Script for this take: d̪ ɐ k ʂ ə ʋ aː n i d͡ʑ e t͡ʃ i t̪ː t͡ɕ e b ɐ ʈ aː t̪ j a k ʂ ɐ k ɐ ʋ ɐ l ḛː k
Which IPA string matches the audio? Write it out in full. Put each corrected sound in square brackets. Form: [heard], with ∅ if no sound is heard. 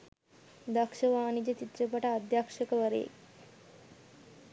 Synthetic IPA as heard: d̪ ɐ k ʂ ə ʋ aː n i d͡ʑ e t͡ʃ i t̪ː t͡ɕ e [p] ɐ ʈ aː [d̪] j a k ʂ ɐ k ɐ ʋ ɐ [ɾ] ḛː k